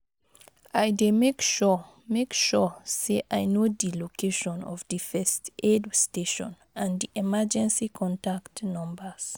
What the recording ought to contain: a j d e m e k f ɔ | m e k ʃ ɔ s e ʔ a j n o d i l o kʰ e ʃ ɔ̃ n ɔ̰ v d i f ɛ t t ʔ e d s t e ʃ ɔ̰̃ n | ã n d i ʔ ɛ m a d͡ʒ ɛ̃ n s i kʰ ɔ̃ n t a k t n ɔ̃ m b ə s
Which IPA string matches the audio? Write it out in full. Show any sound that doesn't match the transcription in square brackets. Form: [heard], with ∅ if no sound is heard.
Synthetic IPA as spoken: a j d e m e k [ʃ] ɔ | m e k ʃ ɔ s e ʔ a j n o d i l o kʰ e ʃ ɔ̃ n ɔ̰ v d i f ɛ [s] t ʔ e d s t e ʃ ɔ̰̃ n | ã n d i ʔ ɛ m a d͡ʒ ɛ̃ n s i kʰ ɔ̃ n t a k t n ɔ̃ m b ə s

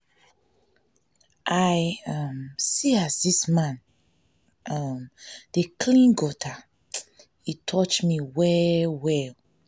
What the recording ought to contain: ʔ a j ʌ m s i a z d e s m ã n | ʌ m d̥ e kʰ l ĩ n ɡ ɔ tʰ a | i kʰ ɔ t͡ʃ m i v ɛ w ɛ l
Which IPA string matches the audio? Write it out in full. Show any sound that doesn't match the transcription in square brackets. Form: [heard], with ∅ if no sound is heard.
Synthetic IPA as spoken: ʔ a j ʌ m s i a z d [i] s m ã n | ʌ m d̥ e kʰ l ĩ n ɡ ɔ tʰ a | i [tʰ] ɔ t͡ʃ m i [w] ɛ w ɛ l

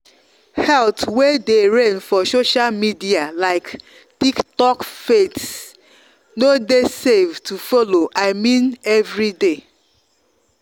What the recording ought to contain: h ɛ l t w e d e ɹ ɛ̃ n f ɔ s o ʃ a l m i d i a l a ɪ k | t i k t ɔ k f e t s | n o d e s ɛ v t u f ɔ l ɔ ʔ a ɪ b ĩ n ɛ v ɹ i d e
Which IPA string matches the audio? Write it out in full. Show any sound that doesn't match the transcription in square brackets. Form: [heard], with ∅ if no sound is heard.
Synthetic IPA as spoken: h ɛ l t w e d e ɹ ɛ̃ n f ɔ s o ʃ a l m i d i a l a ɪ k | t i k t ɔ k f e t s | n o d e s [e] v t u f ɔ l [o] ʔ a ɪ [m] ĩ n ɛ v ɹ i d e

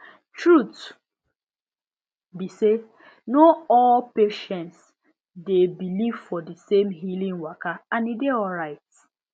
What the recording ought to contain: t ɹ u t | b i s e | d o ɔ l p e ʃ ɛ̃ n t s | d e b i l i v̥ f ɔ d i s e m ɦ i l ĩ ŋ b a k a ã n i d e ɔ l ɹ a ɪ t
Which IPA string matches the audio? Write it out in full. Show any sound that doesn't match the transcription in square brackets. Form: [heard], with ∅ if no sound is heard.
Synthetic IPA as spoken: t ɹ u t | b i s e | [n] o ɔ l p e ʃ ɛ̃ n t s | d e b i l i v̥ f ɔ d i s e m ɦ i l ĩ ŋ [w] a k a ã n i d e ɔ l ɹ a ɪ t

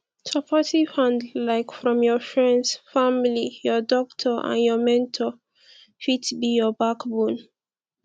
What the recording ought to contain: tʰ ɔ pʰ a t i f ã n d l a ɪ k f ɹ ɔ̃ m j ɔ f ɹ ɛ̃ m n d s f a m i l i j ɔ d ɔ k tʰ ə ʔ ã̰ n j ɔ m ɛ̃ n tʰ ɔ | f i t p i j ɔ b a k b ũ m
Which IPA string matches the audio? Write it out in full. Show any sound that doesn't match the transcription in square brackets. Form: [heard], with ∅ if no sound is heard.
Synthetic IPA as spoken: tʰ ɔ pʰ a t i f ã n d l a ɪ k f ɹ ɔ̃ m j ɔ f ɹ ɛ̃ [∅] n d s f a m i l i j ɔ d ɔ k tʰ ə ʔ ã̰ n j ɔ m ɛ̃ n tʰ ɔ | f i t [b] i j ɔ b a k b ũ [n]

